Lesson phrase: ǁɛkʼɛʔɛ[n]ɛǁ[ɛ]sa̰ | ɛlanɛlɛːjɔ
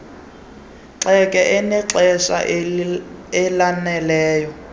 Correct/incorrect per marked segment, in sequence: correct, correct

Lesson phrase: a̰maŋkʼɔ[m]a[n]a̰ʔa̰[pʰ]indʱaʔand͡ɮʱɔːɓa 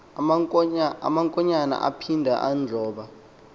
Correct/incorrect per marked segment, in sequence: incorrect, correct, correct

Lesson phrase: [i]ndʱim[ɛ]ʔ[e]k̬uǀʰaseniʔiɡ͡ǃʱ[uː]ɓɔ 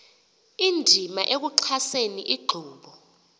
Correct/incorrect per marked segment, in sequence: correct, incorrect, correct, correct

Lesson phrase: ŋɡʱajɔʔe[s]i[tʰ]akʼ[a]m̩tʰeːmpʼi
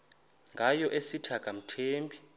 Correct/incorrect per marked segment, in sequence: correct, correct, correct

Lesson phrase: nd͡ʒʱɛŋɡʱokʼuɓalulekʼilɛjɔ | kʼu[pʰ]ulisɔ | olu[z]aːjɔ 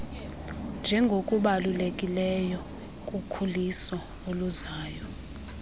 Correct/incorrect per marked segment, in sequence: incorrect, correct

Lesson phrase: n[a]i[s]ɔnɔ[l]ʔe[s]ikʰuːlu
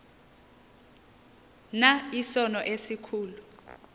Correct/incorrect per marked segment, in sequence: correct, correct, incorrect, correct

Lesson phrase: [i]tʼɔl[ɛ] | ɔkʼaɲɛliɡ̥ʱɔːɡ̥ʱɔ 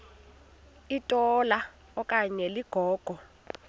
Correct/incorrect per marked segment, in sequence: correct, incorrect

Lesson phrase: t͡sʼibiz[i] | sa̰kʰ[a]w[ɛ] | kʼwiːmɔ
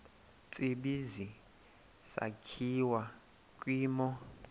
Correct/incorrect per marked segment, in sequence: correct, incorrect, incorrect

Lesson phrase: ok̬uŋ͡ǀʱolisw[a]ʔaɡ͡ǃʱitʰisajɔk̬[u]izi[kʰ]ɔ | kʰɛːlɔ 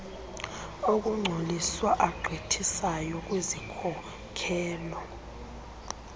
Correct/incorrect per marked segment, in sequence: correct, incorrect, correct

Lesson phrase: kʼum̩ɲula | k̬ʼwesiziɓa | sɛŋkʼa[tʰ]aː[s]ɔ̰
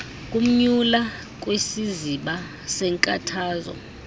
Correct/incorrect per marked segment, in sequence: correct, incorrect

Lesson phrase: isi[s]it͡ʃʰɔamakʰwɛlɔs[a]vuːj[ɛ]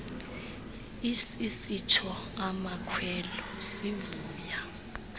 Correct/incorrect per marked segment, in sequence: correct, incorrect, incorrect

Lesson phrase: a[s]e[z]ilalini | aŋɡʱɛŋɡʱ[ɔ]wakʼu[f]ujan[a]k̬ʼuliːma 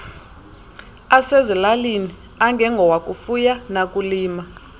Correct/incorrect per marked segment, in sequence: correct, correct, correct, correct, correct

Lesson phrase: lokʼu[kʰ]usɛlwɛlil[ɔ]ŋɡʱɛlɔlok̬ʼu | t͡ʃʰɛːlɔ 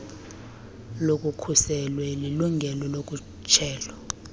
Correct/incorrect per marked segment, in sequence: correct, incorrect

